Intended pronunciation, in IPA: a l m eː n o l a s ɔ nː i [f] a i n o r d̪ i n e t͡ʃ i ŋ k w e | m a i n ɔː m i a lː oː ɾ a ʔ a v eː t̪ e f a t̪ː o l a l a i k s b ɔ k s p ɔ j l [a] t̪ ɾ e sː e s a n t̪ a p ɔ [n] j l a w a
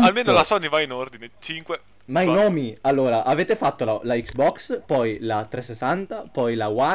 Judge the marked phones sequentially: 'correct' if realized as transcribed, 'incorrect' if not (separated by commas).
incorrect, correct, incorrect